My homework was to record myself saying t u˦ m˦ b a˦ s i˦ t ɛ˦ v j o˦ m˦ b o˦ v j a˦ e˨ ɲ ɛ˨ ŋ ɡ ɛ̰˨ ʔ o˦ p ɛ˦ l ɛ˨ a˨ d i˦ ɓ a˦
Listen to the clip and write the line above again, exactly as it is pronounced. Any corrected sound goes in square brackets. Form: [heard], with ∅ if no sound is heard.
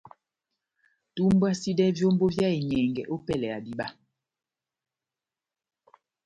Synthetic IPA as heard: t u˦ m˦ b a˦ s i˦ [d] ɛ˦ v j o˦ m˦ b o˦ v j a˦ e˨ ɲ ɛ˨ ŋ ɡ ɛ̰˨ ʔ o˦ p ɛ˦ l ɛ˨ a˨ d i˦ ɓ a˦

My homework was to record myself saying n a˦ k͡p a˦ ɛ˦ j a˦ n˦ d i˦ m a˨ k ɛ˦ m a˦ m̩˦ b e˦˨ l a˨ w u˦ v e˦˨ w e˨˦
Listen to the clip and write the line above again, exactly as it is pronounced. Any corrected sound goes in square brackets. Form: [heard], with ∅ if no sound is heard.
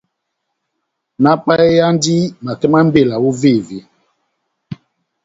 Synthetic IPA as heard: n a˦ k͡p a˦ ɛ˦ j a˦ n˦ d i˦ m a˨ k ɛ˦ m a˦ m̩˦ b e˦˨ l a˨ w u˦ v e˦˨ [v] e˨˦

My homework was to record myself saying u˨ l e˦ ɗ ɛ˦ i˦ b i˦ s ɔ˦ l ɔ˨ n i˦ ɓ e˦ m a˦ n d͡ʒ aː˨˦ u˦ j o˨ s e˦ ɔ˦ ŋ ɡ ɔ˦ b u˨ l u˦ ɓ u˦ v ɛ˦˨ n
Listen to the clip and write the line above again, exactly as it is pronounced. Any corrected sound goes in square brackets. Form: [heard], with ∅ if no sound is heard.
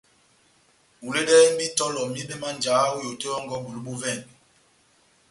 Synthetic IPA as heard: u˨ l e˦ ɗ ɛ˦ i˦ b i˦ [t] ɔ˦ l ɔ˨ [m] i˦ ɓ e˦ m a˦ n d͡ʒ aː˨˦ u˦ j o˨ [t] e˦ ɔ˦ ŋ ɡ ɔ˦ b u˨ l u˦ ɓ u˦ v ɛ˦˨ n

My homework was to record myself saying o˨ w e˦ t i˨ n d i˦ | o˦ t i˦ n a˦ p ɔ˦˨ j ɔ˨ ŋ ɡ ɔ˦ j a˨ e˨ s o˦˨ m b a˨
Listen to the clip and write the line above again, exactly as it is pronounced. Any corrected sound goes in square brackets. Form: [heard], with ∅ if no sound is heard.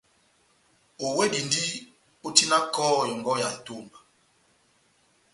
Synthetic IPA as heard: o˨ w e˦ [d] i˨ n d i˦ | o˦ t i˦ n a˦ [k] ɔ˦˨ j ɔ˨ ŋ ɡ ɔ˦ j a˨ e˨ [t] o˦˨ m b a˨

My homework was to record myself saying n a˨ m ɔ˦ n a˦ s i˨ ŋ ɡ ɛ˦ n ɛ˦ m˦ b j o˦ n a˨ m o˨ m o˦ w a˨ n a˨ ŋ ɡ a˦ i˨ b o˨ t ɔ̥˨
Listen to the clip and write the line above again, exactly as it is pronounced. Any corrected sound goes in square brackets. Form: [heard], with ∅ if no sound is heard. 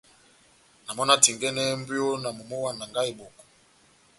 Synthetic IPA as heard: n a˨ m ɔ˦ n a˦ [t] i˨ ŋ ɡ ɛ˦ n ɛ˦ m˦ b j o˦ n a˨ m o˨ m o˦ w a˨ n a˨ ŋ ɡ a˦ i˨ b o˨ [k] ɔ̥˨

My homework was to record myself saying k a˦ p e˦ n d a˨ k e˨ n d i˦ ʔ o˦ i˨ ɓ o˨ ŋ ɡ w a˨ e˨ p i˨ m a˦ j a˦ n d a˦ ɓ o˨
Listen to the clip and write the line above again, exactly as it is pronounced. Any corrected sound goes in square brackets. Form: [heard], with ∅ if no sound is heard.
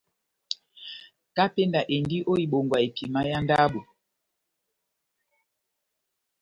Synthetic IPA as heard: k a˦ p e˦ n d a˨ [ʔ] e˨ n d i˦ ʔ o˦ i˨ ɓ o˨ ŋ ɡ w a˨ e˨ p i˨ m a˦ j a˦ n d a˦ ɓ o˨

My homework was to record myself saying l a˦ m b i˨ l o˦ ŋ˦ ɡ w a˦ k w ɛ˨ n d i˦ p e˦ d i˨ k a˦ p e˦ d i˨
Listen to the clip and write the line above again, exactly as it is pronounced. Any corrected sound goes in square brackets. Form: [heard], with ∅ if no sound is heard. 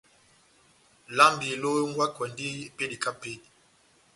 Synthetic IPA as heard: l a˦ m b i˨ l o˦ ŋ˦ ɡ w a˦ k w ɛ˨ n d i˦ p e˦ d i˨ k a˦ p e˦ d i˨

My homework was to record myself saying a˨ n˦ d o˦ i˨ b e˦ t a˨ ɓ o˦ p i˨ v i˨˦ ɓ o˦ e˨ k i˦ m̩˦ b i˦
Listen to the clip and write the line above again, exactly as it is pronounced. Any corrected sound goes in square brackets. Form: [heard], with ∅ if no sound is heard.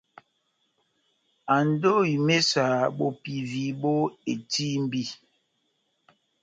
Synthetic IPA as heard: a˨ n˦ d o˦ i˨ [m] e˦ [s] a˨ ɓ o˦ p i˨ v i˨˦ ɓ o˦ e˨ [t] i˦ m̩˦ b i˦

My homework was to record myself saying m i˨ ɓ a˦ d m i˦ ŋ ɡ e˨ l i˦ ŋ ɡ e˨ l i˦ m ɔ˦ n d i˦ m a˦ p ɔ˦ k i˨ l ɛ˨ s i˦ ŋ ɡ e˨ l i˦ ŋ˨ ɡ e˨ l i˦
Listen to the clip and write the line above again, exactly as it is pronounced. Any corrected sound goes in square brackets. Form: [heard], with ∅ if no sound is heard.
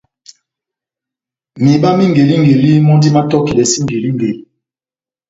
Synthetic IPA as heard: m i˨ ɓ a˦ [∅] m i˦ ŋ ɡ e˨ l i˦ ŋ ɡ e˨ l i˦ m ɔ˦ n d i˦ m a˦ [t] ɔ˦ k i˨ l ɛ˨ s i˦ ŋ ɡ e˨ l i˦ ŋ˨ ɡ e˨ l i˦

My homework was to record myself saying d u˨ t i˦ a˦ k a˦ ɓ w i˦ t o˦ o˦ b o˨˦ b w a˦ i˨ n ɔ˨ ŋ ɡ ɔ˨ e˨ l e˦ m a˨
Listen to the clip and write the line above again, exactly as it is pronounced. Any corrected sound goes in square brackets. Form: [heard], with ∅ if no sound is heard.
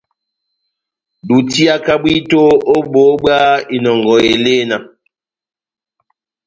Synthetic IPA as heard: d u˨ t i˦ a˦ k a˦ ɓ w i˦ t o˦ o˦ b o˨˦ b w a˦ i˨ n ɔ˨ ŋ ɡ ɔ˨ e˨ l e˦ [n] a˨

